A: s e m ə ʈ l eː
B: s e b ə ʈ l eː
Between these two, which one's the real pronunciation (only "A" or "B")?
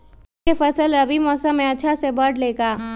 B